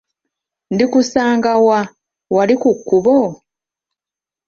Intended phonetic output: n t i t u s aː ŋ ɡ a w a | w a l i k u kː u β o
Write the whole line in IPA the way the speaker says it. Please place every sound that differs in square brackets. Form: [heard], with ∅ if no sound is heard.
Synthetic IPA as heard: n [d] i [k] u s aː ŋ ɡ a w a | w a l i k u kː u β o